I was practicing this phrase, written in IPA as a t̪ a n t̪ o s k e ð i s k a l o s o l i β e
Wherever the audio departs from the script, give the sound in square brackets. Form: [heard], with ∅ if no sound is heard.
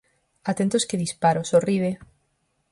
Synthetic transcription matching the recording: a t̪ [e] n t̪ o s k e ð i s [p] a [ɾ] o s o [r] i β e